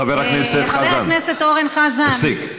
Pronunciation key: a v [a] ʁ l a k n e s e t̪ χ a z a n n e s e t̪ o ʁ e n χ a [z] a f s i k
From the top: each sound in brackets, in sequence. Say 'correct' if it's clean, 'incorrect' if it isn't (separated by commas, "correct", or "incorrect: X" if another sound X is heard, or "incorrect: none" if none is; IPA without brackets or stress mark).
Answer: incorrect: e, correct